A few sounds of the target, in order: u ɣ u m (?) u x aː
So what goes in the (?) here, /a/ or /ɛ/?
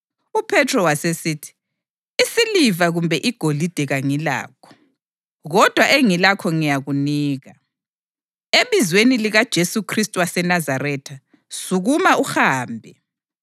a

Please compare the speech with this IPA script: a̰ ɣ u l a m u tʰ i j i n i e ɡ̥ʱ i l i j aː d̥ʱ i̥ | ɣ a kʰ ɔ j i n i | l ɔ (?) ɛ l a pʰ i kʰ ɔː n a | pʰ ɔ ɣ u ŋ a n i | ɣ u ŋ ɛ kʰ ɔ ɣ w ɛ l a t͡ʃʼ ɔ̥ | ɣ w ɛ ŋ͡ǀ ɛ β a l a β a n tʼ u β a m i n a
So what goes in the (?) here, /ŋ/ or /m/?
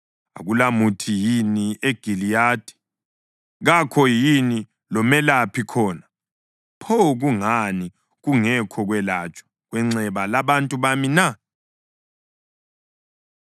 m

